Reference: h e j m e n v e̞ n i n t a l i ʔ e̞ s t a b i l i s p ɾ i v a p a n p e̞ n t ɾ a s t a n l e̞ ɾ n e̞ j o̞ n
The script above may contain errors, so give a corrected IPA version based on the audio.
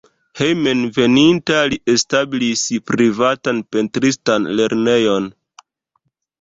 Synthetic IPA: h e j m e n v e̞ n i n t a l i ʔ e̞ s t a b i l i s p ɾ i v a t a n p e̞ n t ɾ i s t a n l e̞ ɾ n e̞ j o̞ n